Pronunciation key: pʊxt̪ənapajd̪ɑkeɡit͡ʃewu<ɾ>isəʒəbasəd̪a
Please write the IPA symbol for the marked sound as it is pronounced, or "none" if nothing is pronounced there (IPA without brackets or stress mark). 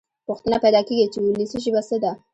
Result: l